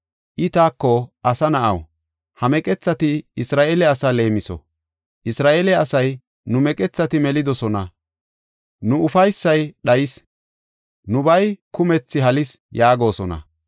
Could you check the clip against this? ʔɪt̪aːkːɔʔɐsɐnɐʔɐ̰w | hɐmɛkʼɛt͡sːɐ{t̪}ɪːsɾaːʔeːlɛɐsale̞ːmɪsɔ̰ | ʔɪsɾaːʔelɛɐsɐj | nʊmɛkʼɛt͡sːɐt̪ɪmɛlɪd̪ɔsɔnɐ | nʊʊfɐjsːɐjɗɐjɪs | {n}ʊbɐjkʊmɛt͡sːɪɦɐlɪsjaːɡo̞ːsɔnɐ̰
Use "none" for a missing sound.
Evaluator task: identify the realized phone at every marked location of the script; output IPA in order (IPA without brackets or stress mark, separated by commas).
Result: t̪, n